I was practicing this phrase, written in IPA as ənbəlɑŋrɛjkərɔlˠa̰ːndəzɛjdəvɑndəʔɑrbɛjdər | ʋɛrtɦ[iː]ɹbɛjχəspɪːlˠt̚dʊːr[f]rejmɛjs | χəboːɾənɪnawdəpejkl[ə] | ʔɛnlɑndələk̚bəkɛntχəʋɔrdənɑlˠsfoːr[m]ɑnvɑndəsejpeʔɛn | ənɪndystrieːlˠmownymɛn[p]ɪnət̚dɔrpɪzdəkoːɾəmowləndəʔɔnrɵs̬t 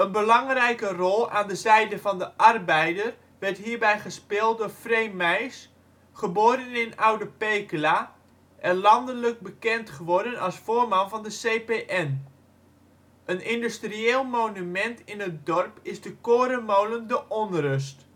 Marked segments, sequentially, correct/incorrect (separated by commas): correct, correct, incorrect, correct, incorrect